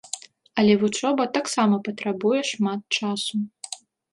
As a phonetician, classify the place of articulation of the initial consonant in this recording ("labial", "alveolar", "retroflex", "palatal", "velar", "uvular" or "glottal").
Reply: alveolar